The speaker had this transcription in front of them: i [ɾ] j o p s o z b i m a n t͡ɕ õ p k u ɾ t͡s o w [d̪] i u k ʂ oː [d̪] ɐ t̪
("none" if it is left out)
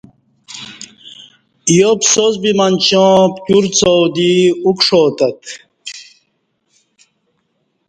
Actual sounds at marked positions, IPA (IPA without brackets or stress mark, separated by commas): none, d̪, t̪